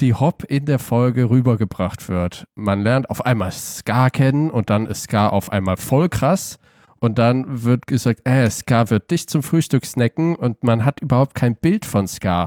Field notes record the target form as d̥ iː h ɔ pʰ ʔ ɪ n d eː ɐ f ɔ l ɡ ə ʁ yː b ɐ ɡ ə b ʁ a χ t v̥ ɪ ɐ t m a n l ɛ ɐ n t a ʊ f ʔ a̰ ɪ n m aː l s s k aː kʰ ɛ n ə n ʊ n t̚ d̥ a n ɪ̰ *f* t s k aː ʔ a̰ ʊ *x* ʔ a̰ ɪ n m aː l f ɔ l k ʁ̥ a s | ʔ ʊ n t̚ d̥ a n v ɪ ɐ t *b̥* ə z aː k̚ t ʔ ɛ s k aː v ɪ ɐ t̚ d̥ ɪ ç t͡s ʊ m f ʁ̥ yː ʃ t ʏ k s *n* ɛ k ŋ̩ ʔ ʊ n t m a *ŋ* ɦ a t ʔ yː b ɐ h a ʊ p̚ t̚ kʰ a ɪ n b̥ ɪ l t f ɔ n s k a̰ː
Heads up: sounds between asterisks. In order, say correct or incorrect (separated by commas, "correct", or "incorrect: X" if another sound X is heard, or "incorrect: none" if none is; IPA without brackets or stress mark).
incorrect: s, incorrect: f, incorrect: ɡ̥, correct, incorrect: n